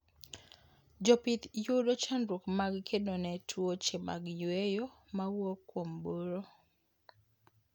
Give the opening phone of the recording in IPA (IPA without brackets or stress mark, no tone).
d͡ʒ